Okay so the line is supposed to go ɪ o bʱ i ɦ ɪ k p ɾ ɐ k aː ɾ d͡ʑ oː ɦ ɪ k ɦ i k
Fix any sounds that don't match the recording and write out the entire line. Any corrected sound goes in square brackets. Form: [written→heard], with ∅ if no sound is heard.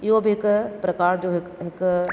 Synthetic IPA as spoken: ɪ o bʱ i ɦ ɪ k p ɾ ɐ k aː ɾ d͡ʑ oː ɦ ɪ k ɦ [i→ɪ] k